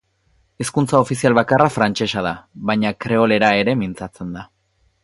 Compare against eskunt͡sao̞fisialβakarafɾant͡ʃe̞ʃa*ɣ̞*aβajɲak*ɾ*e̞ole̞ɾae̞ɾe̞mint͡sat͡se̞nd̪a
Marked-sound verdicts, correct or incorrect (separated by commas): incorrect, correct